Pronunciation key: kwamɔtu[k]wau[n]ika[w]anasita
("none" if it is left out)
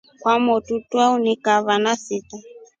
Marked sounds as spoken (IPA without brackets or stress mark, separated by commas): t, n, β